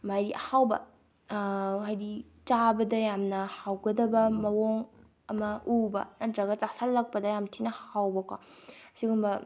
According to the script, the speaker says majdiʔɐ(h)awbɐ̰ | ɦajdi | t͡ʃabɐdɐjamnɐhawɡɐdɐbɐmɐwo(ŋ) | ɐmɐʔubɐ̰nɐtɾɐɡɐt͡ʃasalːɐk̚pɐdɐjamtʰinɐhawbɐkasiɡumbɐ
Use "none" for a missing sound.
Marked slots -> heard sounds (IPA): h, ŋ

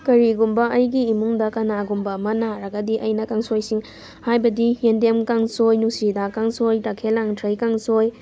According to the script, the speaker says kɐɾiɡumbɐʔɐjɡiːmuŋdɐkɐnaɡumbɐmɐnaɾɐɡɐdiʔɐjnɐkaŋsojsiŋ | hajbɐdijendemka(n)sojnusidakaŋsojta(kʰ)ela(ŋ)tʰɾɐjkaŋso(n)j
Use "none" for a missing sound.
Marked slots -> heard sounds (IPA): ŋ, kʰ, ŋ, none

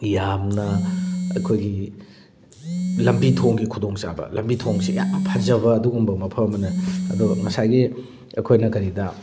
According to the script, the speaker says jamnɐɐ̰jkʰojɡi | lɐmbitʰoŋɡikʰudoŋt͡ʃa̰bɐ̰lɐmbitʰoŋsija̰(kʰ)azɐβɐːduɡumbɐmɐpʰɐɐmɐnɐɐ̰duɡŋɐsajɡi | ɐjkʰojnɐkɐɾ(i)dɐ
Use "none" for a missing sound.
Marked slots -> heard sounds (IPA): pʰ, i

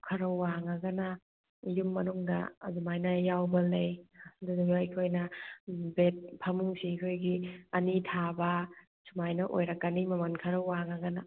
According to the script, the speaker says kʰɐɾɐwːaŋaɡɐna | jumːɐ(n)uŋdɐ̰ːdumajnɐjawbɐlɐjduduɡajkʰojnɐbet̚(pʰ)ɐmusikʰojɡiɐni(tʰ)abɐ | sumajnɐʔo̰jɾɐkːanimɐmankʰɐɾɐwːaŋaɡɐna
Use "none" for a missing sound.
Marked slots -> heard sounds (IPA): n, pʰ, tʰ

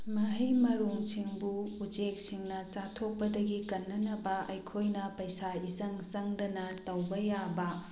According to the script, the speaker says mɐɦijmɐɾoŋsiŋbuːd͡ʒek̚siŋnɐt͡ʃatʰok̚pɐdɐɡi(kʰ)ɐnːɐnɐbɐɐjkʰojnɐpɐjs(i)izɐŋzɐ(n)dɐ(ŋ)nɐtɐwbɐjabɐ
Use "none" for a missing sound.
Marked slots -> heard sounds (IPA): k, a, ŋ, none

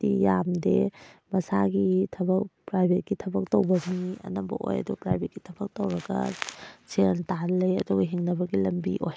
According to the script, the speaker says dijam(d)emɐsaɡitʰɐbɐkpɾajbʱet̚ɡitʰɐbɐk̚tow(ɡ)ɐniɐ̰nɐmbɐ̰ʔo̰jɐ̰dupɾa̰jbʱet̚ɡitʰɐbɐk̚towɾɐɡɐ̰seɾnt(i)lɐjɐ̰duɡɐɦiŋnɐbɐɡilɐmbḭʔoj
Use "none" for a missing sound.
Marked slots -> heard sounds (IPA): d, b, a

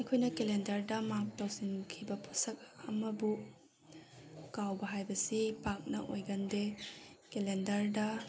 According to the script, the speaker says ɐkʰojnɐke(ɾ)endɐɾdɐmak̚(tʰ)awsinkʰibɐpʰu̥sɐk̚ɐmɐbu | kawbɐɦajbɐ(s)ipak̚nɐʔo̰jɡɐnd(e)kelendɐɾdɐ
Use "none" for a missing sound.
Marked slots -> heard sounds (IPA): l, t, s, e

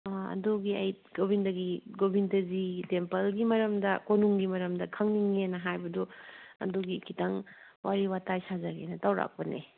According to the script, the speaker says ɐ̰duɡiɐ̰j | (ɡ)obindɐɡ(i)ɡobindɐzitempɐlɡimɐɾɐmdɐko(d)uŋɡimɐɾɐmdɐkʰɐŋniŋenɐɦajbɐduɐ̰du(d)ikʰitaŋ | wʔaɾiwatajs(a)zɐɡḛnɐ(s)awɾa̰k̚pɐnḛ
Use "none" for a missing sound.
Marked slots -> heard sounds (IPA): ɡ, i, n, ɡ, a, t

